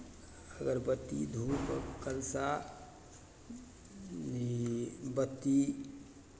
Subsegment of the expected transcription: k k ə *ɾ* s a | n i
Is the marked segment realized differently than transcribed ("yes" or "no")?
yes